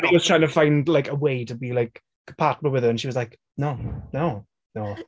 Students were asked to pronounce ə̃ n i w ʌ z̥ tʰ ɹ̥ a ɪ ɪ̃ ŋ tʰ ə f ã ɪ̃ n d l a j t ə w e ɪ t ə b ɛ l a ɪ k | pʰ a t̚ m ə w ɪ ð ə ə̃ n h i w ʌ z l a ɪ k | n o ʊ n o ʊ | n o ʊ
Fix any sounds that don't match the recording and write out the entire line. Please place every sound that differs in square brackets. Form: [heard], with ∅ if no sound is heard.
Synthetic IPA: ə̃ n i w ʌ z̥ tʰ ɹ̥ a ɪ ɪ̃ ŋ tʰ ə f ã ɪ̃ n d l a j [k] ə w e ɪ t ə b [i] l a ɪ k | pʰ a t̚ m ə w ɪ ð ə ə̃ n [ʃ] i w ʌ z l a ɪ k | n o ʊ n o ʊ | n o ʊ